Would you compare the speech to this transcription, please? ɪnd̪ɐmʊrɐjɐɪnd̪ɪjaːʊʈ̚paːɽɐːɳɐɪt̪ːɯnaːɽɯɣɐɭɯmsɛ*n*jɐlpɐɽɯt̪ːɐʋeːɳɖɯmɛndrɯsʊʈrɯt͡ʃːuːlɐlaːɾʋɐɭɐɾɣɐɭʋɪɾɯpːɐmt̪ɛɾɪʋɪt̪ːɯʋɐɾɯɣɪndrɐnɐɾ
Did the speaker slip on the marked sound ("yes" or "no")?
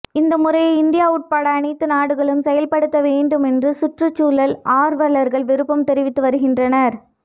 yes